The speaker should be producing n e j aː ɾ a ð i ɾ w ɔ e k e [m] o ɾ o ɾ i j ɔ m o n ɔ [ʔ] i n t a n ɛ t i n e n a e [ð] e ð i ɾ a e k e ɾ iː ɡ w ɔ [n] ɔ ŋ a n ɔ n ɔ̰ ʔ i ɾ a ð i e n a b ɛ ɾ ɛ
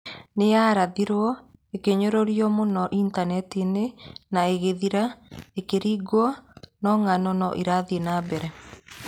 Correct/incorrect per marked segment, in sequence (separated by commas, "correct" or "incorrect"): incorrect, correct, incorrect, correct